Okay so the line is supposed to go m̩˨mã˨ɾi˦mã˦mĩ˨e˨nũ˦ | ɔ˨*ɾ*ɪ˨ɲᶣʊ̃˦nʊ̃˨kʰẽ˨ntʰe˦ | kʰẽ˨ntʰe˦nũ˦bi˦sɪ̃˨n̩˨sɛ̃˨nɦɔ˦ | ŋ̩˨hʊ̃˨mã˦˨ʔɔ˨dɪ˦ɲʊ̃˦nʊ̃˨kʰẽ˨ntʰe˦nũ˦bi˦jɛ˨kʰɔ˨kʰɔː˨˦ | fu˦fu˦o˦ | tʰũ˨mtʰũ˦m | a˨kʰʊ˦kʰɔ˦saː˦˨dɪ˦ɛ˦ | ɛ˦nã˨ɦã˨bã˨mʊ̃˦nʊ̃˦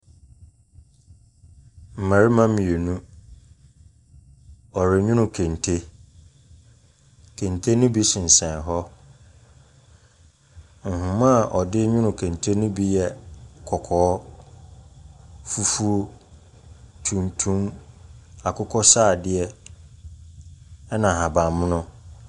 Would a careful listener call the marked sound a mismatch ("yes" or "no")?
no